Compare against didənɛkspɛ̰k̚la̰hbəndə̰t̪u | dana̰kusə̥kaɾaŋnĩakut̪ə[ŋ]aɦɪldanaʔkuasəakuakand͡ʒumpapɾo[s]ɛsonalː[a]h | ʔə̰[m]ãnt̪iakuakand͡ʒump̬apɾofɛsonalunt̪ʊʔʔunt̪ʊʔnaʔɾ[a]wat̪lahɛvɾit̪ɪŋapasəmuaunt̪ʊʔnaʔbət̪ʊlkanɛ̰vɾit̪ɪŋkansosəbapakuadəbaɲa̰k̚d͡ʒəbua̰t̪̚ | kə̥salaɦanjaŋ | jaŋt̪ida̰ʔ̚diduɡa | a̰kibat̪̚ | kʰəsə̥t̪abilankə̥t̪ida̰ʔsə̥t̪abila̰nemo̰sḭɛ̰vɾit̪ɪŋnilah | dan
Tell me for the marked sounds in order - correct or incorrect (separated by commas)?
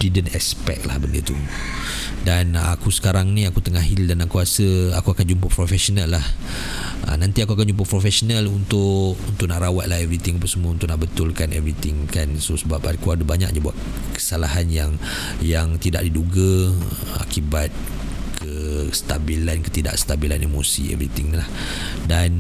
correct, incorrect, correct, incorrect, correct